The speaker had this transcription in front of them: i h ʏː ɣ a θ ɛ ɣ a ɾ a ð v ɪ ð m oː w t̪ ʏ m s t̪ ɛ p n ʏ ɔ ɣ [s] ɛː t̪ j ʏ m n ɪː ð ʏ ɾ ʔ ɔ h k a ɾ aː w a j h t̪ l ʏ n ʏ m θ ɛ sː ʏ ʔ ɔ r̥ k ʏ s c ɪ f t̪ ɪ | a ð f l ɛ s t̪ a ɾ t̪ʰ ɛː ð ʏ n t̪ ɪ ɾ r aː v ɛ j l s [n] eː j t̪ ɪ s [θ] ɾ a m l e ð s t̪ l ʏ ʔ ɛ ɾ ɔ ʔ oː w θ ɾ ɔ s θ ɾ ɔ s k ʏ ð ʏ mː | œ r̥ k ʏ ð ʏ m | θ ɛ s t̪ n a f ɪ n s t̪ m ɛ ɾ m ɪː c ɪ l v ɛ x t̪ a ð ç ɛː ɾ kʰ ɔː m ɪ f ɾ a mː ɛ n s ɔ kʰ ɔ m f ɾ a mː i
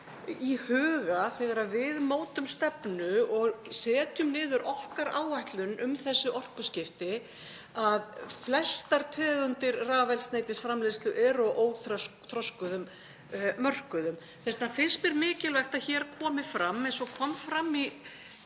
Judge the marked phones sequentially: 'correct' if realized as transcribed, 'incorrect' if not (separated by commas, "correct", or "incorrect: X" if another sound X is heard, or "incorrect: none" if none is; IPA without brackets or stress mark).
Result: correct, correct, incorrect: f